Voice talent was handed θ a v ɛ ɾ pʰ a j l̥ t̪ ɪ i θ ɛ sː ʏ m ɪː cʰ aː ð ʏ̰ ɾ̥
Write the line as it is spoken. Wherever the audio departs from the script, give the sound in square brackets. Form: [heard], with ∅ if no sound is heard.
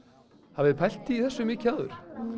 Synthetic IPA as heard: [h] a v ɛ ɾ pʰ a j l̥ t̪ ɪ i θ ɛ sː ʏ m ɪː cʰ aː ð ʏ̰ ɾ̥